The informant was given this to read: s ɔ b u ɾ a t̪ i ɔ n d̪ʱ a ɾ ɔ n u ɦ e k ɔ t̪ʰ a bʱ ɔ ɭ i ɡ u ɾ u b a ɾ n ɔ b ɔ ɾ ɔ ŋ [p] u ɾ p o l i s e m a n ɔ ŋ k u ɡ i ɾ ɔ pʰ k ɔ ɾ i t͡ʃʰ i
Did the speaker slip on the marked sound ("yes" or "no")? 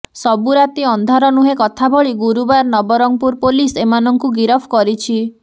no